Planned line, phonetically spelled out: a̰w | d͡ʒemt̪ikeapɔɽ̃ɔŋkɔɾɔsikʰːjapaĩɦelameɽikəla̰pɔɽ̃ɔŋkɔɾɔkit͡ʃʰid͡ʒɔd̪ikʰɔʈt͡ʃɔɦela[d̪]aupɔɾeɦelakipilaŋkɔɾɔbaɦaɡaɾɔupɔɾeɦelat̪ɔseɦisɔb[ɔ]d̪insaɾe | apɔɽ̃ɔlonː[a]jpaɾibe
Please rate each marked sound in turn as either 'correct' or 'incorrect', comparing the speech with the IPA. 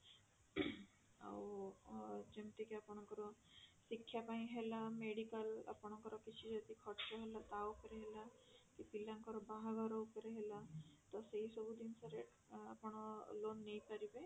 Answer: incorrect, incorrect, incorrect

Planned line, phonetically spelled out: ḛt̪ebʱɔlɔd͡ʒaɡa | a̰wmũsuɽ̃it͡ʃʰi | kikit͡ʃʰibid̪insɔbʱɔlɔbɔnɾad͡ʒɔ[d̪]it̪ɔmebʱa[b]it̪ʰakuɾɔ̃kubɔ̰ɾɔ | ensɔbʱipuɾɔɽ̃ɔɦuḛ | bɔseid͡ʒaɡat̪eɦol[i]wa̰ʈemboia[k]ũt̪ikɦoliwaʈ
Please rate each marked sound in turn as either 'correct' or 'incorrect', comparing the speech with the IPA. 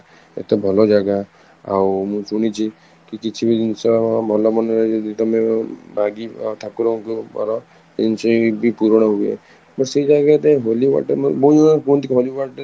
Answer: correct, incorrect, correct, correct

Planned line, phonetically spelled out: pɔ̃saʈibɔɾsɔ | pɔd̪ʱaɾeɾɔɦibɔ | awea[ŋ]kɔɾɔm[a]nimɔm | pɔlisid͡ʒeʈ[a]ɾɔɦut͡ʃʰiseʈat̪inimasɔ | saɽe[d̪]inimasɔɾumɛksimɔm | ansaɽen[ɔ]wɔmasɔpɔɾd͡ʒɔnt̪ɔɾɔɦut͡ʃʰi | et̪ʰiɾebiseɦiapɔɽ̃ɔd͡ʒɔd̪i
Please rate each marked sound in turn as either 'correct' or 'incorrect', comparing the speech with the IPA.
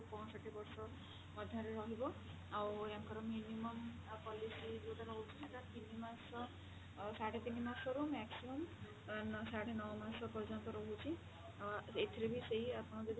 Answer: correct, incorrect, correct, incorrect, correct

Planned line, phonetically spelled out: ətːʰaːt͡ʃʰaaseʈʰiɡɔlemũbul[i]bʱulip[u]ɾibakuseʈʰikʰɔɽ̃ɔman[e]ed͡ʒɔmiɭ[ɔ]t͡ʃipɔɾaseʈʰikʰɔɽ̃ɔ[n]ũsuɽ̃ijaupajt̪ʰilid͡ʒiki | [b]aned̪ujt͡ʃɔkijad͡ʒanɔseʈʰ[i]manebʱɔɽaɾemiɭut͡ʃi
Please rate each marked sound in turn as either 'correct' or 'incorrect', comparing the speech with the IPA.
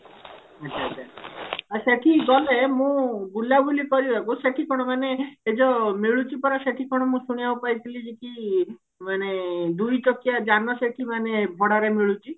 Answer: incorrect, incorrect, correct, incorrect, incorrect, incorrect, correct

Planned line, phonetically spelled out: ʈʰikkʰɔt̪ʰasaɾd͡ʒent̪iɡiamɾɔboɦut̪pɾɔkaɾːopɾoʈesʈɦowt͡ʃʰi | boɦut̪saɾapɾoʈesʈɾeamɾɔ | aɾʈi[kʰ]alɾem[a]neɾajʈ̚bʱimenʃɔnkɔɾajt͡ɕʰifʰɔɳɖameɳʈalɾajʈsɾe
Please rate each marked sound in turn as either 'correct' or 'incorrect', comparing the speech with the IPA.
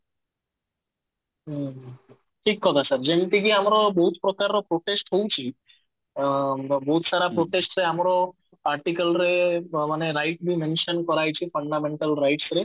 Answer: incorrect, correct

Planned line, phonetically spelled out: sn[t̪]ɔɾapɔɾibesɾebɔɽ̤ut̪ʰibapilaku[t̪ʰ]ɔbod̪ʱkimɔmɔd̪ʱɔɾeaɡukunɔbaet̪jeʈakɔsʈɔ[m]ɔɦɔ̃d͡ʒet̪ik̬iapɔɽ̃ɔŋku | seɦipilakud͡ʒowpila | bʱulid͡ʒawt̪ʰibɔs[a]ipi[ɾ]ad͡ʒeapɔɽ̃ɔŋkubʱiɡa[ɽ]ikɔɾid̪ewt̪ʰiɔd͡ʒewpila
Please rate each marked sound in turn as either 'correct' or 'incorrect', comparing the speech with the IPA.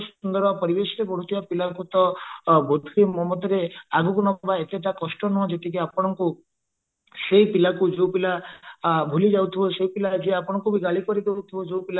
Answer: incorrect, incorrect, incorrect, incorrect, incorrect, incorrect

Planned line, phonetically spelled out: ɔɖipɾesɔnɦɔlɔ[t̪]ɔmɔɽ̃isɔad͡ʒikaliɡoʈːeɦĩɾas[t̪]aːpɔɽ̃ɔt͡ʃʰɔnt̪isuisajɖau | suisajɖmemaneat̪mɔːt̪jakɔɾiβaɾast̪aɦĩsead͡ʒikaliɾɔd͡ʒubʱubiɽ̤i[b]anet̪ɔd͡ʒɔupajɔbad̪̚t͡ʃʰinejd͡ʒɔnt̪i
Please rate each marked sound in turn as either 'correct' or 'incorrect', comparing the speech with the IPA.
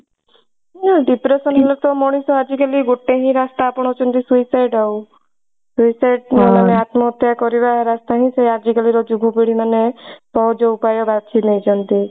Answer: correct, correct, incorrect

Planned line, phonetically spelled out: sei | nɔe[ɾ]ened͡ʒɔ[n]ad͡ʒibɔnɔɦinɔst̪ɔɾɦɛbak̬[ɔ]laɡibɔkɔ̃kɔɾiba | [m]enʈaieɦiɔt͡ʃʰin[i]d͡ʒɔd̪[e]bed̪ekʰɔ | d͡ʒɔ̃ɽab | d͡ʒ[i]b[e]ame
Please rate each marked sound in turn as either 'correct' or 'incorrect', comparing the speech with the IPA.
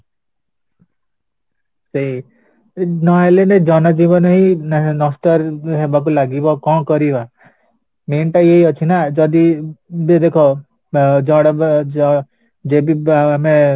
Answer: incorrect, correct, incorrect, correct, incorrect, incorrect, incorrect, incorrect

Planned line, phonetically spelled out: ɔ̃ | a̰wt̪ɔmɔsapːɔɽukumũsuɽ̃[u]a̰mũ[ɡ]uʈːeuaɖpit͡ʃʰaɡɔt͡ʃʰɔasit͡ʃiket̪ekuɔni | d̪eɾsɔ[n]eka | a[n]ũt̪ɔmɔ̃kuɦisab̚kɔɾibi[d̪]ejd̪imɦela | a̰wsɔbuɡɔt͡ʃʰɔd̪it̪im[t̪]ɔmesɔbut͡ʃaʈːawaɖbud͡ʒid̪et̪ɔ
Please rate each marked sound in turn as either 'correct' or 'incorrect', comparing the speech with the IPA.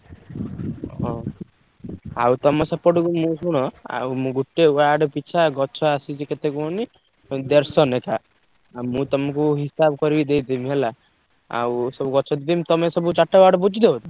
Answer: incorrect, correct, correct, incorrect, correct, correct

